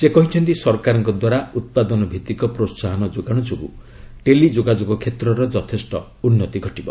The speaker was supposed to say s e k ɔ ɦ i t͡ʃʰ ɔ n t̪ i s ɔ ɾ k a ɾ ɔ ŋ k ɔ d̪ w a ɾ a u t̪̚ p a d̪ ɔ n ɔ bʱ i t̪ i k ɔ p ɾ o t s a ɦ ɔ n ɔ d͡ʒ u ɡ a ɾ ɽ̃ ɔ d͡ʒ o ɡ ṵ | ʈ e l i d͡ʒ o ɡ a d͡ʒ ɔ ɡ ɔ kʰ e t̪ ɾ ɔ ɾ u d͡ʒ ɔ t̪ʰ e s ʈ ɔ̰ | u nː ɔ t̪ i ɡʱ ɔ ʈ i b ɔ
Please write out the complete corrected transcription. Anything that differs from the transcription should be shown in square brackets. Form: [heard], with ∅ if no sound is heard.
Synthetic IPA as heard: s e k ɔ ɦ i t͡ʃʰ ɔ n t̪ i s ɔ ɾ k a ɾ ɔ ŋ k ɔ d̪ w a ɾ a u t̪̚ p a d̪ ɔ n ɔ bʱ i t̪ i k ɔ p ɾ o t s a ɦ ɔ n ɔ d͡ʒ [o] ɡ a [∅] ɽ̃ ɔ d͡ʒ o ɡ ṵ | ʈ e l i d͡ʒ o ɡ a d͡ʒ [o] ɡ ɔ kʰ e t̪ ɾ ɔ ɾ [ɔ] d͡ʒ ɔ t̪ʰ e s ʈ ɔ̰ | u nː ɔ t̪ i ɡʱ ɔ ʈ i b ɔ

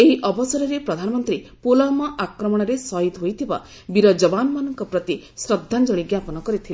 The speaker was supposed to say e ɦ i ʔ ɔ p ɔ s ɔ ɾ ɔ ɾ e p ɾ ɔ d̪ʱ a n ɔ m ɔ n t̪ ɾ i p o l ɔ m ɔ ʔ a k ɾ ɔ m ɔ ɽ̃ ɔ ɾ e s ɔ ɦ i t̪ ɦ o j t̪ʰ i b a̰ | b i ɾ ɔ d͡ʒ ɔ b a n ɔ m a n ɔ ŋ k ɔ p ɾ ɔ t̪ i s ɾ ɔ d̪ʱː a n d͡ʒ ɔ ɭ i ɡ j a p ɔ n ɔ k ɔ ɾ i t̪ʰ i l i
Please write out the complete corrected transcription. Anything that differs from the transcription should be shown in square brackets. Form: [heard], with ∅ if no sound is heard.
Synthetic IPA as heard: e ɦ i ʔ ɔ [b] ɔ s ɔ ɾ ɔ ɾ e p ɾ ɔ d̪ʱ a n ɔ m ɔ n t̪ ɾ i p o l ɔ m ɔ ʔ a k ɾ ɔ m ɔ ɽ̃ ɔ ɾ e s ɔ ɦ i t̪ ɦ o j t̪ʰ i b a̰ | b i ɾ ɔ d͡ʒ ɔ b a n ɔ m a n ɔ ŋ k ɔ p ɾ ɔ t̪ i s ɾ ɔ d̪ʱː a n d͡ʒ ɔ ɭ i ɡ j a p ɔ n ɔ k ɔ ɾ i t̪ʰ i l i

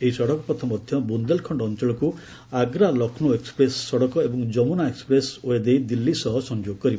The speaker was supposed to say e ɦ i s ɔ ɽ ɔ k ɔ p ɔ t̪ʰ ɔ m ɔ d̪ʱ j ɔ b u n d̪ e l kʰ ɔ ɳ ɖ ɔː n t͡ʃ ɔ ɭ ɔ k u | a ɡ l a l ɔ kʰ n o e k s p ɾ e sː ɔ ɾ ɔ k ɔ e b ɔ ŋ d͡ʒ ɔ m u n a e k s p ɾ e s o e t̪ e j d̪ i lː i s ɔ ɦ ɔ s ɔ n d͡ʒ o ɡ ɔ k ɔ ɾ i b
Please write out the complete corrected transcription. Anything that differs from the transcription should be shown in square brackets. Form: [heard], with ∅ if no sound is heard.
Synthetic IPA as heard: e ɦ i s ɔ ɽ ɔ k ɔ p ɔ t̪ʰ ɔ m ɔ d̪ʱ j ɔ b u n d̪ e l kʰ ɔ ɳ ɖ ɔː n t͡ʃ ɔ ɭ ɔ k u | a ɡ [ɾ] a l ɔ kʰ n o e k s p ɾ e sː ɔ [ɽ] ɔ k ɔ e b ɔ ŋ d͡ʒ ɔ m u n a e k s p ɾ e s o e [d̪] e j d̪ i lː i s ɔ ɦ ɔ s ɔ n d͡ʒ o ɡ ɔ k ɔ ɾ i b

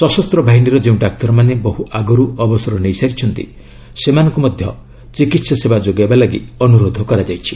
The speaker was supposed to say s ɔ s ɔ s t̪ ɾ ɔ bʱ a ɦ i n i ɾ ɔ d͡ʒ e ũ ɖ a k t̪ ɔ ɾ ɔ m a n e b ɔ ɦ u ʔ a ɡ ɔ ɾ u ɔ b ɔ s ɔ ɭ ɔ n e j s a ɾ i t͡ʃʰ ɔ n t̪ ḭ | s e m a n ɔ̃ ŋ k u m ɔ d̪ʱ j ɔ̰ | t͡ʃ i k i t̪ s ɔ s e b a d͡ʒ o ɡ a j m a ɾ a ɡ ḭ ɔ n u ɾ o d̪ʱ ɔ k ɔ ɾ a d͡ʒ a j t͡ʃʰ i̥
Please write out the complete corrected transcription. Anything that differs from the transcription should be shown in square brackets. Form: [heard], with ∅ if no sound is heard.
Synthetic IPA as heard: s ɔ s ɔ s t̪ ɾ ɔ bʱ a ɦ i n i ɾ ɔ d͡ʒ e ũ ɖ a k t̪ ɔ ɾ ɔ m a n e b ɔ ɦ u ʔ a ɡ ɔ ɾ u ɔ b ɔ s ɔ [ɾ] ɔ n e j s a ɾ i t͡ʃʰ ɔ n t̪ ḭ | s e m a n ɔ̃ ŋ k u m ɔ d̪ʱ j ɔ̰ | t͡ʃ i k i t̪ s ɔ s e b a d͡ʒ o ɡ a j [b] a [l] a ɡ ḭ ɔ n u ɾ o d̪ʱ ɔ k ɔ ɾ a d͡ʒ a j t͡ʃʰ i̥

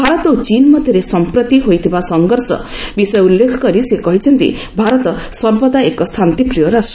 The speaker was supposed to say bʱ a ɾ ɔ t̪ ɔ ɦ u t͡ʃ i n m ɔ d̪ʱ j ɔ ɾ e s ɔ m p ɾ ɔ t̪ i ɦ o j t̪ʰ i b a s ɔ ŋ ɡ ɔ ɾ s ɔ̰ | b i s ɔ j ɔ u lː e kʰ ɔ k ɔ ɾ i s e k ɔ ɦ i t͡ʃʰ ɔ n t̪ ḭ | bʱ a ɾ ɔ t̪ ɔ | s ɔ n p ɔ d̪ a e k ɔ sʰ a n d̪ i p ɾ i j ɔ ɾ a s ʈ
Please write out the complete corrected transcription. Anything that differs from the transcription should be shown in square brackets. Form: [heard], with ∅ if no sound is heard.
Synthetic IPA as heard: bʱ a ɾ ɔ t̪ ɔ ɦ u t͡ʃ i n m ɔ d̪ʱ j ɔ ɾ e s ɔ m p ɾ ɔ t̪ i ɦ o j t̪ʰ i b a s ɔ ŋ ɡ ɔ ɾ s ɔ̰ | b i s ɔ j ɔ u lː e kʰ ɔ k ɔ ɾ i s e k ɔ ɦ i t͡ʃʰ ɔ n t̪ ḭ | bʱ a ɾ ɔ t̪ ɔ | s ɔ [m] p ɔ d̪ a e k ɔ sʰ a n [t̪] i p ɾ i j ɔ ɾ a s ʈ

